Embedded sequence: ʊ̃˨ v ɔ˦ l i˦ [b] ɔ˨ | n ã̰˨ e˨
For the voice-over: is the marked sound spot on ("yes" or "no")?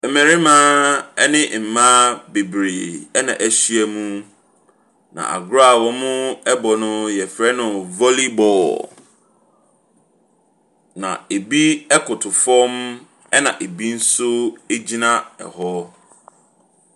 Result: yes